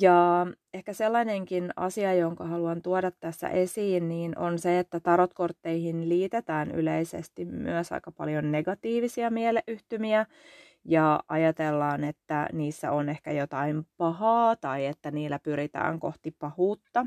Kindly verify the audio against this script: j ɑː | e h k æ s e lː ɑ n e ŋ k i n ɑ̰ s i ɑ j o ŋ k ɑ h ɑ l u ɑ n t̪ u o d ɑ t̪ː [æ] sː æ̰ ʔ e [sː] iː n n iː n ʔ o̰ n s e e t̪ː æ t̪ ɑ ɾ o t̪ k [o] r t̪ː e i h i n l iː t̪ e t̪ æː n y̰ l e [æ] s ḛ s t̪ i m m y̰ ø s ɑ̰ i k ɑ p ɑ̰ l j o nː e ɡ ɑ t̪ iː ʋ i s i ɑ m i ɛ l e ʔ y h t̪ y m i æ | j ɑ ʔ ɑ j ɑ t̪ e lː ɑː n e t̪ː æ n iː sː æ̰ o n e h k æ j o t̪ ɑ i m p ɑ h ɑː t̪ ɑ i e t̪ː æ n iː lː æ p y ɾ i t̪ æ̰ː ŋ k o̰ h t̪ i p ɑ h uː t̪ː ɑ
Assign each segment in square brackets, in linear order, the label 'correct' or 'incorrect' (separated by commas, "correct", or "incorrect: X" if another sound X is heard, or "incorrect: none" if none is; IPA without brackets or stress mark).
correct, incorrect: s, correct, incorrect: i